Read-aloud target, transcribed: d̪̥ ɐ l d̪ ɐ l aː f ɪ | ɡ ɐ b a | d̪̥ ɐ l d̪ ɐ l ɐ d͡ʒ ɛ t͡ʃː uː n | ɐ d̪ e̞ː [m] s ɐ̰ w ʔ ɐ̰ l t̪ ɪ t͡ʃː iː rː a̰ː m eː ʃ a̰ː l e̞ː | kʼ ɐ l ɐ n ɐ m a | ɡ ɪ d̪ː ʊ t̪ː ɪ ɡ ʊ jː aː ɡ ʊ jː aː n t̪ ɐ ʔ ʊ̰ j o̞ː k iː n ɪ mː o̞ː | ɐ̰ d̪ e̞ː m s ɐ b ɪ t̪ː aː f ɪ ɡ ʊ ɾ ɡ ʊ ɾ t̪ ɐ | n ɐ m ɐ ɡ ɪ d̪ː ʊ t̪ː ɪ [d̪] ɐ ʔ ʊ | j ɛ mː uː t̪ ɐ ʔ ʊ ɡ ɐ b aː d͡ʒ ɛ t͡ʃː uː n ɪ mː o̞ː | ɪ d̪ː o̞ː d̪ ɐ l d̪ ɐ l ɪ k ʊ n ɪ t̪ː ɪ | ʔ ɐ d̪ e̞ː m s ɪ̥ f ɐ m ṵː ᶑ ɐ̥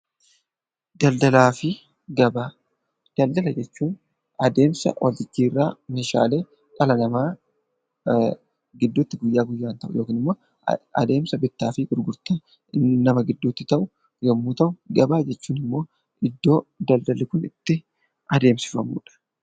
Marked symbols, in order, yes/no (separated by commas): yes, no